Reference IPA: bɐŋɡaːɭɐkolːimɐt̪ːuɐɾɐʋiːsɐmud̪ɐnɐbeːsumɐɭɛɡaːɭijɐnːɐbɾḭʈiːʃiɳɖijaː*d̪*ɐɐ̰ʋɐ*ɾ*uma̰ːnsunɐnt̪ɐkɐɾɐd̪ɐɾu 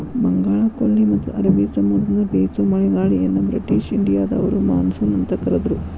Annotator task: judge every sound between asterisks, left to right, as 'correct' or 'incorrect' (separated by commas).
correct, correct